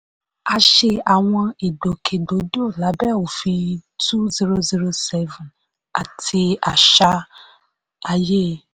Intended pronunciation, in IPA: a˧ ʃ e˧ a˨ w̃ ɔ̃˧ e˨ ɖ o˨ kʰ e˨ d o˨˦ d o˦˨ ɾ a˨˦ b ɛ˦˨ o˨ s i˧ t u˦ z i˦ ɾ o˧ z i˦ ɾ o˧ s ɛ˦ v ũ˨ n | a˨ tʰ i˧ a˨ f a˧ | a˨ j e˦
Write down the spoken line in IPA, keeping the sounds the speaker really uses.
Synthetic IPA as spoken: a˧ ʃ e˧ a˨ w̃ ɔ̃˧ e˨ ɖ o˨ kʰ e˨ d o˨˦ d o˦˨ l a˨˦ b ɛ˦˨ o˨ f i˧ t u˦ z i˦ ɾ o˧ z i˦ ɾ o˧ s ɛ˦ v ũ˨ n | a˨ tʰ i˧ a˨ ʃ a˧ | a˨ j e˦